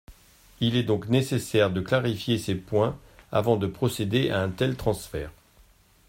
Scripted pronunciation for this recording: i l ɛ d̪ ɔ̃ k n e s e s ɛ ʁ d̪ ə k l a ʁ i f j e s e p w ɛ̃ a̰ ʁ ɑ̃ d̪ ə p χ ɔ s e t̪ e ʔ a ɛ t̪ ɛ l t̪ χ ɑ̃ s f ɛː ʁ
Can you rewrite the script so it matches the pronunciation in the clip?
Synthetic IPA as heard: i l ɛ d̪ ɔ̃ k n e s e s ɛ ʁ d̪ ə k l a ʁ i f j e s e p w ɛ̃ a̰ v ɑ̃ d̪ ə p χ ɔ s e d̪ e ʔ a ɛ̃ t̪ ɛ l t̪ χ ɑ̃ s f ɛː ʁ